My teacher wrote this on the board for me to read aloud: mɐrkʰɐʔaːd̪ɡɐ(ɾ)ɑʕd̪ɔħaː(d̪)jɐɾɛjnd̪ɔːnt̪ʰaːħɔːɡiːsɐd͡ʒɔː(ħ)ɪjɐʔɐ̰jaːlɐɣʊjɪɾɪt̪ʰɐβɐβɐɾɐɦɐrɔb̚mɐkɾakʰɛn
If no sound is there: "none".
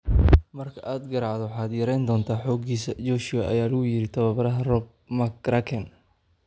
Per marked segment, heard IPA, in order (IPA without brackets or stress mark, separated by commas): ɾ, d̪, ʃ